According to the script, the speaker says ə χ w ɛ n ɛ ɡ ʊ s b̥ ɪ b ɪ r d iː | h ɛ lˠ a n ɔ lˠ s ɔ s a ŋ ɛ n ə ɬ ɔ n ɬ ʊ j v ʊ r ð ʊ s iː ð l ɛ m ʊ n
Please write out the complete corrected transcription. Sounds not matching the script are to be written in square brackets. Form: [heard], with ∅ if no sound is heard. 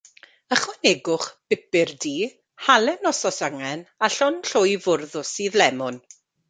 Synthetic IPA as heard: ə χ w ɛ n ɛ ɡ ʊ [χ] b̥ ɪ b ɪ r d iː | h [a] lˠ [ɛ] n ɔ [∅] s ɔ s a ŋ ɛ n [a] ɬ ɔ n ɬ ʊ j v ʊ r ð ʊ s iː ð l ɛ m ʊ n

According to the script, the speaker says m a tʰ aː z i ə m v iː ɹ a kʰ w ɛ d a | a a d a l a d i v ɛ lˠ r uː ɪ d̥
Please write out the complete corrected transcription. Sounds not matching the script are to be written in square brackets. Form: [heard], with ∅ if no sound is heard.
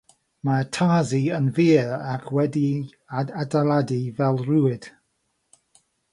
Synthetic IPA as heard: m a tʰ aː z i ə [n] v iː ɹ a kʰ w ɛ d [i] | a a d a l a d i v ɛ lˠ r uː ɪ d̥

